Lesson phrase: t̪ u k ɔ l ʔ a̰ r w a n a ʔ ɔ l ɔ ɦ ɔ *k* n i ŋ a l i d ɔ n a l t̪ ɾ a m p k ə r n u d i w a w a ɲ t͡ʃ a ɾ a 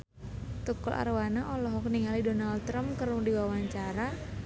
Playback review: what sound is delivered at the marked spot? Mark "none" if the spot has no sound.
k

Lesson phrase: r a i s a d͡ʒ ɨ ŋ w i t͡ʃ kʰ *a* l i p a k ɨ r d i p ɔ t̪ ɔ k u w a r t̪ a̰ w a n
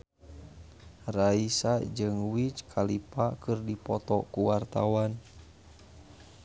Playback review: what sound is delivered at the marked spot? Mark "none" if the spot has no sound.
a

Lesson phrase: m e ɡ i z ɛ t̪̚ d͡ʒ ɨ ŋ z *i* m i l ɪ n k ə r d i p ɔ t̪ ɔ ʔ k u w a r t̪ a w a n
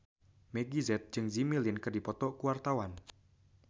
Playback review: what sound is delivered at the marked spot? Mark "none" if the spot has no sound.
i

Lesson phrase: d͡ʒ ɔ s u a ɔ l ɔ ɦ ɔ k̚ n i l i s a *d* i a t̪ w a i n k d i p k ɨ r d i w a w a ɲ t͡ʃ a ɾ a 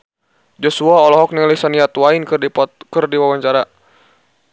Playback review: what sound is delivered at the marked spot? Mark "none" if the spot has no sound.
n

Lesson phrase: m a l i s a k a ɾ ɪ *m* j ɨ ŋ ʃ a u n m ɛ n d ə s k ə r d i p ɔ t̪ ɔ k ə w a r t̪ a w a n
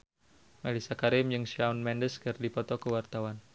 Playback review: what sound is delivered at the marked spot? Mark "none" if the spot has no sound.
m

